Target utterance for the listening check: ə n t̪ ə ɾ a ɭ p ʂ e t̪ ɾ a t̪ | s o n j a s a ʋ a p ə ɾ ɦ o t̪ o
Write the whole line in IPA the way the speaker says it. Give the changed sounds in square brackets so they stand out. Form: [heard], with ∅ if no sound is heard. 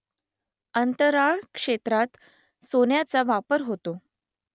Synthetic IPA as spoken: ə n t̪ ə ɾ a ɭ [k] ʂ e t̪ ɾ a t̪ | s o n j a [t͡s] a ʋ a p ə ɾ ɦ o t̪ o